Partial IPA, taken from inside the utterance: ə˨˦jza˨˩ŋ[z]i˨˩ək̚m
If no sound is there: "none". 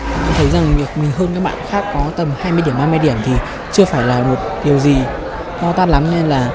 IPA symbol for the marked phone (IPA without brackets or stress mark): v